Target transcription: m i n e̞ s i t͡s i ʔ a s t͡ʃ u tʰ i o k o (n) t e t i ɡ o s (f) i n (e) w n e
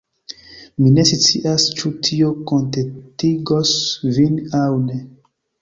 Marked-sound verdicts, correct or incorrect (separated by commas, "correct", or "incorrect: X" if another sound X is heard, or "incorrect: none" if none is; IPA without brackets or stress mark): correct, incorrect: v, incorrect: a